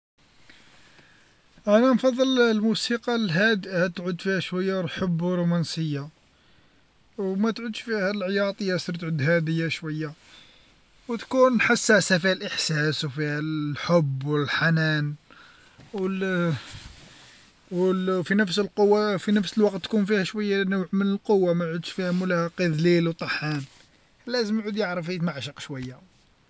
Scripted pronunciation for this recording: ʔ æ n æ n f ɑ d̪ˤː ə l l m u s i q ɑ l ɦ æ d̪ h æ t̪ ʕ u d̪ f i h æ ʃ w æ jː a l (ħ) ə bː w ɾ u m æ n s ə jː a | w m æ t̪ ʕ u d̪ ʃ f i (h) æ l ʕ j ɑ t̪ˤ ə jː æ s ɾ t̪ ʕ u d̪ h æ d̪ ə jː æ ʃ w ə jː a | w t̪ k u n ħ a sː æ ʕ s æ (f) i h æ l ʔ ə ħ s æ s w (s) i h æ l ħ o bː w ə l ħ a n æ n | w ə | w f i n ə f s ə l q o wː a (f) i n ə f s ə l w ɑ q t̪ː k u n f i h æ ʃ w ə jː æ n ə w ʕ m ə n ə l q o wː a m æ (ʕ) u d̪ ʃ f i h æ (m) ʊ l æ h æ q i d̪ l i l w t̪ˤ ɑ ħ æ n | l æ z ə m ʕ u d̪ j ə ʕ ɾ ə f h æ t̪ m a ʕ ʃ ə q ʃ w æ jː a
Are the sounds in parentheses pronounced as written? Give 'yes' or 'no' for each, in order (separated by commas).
yes, yes, yes, no, yes, yes, yes